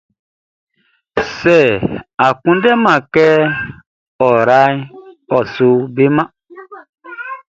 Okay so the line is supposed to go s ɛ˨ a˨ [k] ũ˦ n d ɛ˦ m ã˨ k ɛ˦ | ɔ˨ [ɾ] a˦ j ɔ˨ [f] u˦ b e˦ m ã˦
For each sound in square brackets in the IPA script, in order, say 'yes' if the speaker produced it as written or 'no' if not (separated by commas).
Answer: yes, yes, no